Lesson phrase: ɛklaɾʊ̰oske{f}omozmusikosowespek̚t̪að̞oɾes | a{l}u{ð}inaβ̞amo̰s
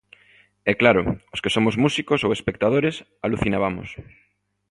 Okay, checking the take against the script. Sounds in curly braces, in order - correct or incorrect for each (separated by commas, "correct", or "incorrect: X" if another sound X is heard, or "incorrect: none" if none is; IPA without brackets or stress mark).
incorrect: s, correct, incorrect: θ